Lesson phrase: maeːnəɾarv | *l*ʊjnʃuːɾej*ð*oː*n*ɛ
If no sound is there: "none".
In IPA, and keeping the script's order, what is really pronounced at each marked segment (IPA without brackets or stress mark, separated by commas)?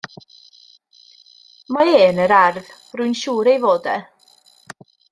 r, v, d